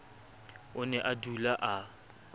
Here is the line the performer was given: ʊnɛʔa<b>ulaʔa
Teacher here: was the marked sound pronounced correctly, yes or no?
no